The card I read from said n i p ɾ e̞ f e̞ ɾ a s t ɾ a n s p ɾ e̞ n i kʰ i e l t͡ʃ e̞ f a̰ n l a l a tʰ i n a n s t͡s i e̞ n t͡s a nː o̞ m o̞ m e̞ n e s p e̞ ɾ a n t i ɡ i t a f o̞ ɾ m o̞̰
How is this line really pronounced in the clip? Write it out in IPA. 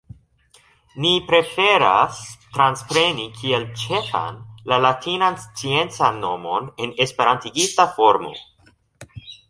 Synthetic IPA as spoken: n i p ɾ e̞ f e̞ ɾ a s t ɾ a n s p ɾ e̞ n i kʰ i e l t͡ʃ e̞ f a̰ n l a l a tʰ i n a n s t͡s i e̞ n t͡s a nː o̞ m o̞ n e̞ n e s p e̞ ɾ a n t i ɡ i t a f o̞ ɾ m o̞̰

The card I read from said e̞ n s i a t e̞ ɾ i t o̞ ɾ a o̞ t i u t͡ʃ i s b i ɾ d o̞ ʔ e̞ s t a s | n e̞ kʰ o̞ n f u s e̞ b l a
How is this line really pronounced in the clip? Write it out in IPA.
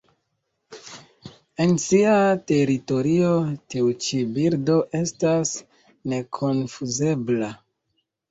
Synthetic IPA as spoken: e̞ n s i a t e̞ ɾ i t o̞ ɾ i o̞ t i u t͡ʃ i b i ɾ d o̞ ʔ e̞ s t a s | n e̞ kʰ o̞ n f u z e̞ b l a

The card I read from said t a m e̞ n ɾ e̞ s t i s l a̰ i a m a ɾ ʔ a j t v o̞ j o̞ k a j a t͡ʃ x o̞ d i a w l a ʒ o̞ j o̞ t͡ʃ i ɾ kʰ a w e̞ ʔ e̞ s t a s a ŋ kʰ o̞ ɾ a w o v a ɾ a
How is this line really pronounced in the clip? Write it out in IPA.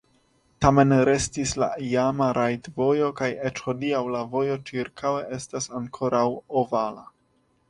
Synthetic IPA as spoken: t a m e̞ n ɾ e̞ s t i s l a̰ i a m a ɾ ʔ a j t v o̞ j o̞ k a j e t͡ʃ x o̞ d i a w l a v o̞ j o̞ t͡ʃ i ɾ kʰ a w e̞ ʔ e̞ s t a s a ŋ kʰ o̞ ɾ a w o v a l a

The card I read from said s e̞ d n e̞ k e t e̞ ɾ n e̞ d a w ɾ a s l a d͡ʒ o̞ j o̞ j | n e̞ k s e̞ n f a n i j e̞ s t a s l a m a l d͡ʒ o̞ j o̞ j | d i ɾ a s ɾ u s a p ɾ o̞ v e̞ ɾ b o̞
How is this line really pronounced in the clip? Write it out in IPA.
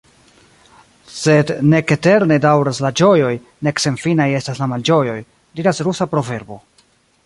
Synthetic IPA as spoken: s e̞ d n e̞ k e t e̞ ɾ n e̞ d a w ɾ a s l a d͡ʒ o̞ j o̞ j | n e̞ k s e̞ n f i n a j e̞ s t a s l a m a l d͡ʒ o̞ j o̞ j | d i ɾ a s ɾ u s a p ɾ o̞ v e̞ ɾ b o̞

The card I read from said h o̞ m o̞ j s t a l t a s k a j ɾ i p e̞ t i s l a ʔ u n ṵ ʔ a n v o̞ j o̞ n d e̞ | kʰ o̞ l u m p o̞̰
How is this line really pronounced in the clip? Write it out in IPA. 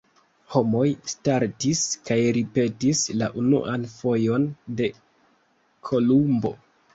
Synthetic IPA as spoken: h o̞ m o̞ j s t a ɾ t i s k a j ɾ i p e̞ t i s l a ʔ u n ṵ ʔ a n f o̞ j o̞ n d e̞ | kʰ o̞ l u m b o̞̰

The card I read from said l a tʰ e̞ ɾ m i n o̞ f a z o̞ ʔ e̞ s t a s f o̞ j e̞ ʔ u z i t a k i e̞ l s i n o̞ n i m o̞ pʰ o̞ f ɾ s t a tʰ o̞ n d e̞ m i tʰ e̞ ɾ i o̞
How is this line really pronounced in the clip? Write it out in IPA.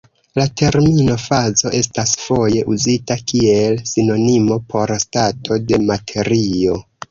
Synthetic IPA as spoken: l a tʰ e̞ ɾ m i n o̞ f a z o̞ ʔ e̞ s t a s f o̞ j e̞ ʔ u z i t a k i e̞ l s i n o̞ n i m o̞ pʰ o̞ ɾ s t a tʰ o̞ d e̞ m a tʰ e̞ ɾ i o̞

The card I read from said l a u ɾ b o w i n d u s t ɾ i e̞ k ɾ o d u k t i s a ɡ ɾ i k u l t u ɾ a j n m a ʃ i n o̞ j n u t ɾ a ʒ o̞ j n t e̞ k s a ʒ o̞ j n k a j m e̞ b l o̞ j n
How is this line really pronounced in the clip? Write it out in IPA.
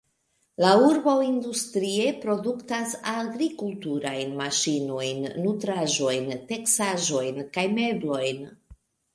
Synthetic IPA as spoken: l a u ɾ b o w i n d u s t ɾ i e̞ p ɾ o d u k t a s a ɡ ɾ i k u l t u ɾ a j n m a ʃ i n o̞ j nː u t ɾ a ʒ o̞ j n t e̞ k s a ʒ o̞ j n k a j m e̞ b l o̞ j n

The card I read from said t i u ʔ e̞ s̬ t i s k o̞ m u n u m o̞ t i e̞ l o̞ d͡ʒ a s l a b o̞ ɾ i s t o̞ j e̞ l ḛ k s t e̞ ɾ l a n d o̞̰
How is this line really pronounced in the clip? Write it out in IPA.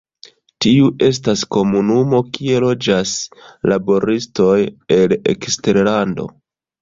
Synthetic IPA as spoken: t i u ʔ e̞ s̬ t a s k o̞ m u n u m o̞ k i e̞ l o̞ d͡ʒ a s l a b o̞ ɾ i s t o̞ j e̞ l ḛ k s t e̞ ɾ l a n d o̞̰

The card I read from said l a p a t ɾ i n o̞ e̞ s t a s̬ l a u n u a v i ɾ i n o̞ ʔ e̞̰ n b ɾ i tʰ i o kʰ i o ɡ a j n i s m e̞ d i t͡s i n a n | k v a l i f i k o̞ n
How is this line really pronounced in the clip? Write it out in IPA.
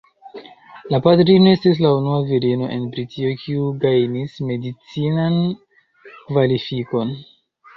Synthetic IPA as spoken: l a p a t ɾ i n o̞ e̞ s t i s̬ l a u n u a v i ɾ i n o̞ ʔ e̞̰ n b ɾ i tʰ i o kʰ i u ɡ a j n i s m e̞ d i t͡s i n a n | k v a l i f i k o̞ n

